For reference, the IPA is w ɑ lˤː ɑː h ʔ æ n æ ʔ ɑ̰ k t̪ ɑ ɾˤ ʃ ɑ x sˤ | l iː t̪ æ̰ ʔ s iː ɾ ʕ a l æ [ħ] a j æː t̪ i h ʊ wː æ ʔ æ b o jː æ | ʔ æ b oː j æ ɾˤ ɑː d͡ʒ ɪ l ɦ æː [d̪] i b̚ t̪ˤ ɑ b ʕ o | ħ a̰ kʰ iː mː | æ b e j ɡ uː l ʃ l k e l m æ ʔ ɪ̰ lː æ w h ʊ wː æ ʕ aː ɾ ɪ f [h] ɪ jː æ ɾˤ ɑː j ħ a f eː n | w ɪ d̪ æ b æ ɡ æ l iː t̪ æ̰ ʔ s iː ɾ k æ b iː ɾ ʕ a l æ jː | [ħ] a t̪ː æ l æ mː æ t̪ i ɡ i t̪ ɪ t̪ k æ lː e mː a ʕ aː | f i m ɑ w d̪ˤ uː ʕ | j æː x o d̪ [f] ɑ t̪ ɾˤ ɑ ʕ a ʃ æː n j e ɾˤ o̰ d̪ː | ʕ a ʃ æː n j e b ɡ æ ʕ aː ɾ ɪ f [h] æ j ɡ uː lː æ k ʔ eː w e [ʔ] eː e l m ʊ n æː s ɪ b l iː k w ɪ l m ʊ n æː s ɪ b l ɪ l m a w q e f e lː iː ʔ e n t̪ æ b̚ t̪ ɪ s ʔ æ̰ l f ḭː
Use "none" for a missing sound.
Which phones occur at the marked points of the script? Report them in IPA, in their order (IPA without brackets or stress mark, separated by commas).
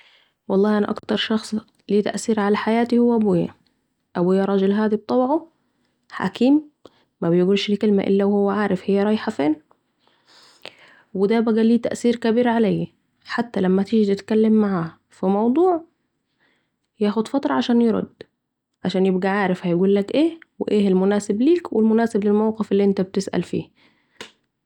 ħ, d̪, h, ħ, f, h, ʔ